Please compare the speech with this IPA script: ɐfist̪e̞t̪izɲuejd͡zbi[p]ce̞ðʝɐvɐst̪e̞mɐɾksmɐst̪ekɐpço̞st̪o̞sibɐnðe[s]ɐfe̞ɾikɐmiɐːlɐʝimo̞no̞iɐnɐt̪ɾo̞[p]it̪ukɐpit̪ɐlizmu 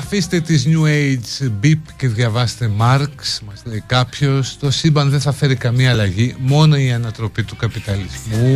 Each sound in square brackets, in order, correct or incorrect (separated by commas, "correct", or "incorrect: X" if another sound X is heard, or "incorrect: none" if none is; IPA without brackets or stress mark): correct, incorrect: θ, correct